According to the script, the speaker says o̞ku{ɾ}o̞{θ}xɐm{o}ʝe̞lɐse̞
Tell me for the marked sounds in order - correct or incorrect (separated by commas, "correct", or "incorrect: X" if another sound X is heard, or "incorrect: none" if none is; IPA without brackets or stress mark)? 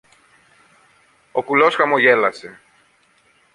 incorrect: l, incorrect: s, correct